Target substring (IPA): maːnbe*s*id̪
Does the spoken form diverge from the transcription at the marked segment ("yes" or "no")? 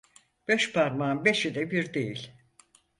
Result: yes